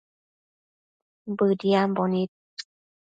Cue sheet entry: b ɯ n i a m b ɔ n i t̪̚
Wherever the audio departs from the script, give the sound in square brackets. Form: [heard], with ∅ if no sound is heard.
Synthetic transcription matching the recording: b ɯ [d] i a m b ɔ n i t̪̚